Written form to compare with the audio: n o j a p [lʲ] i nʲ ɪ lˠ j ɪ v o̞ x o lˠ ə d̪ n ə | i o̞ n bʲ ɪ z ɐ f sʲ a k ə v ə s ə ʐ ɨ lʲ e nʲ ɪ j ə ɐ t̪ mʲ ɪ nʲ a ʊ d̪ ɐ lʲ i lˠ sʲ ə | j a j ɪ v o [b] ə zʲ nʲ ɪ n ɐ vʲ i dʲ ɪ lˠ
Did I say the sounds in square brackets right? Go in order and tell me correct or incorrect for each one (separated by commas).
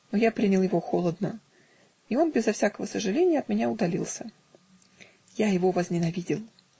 incorrect, incorrect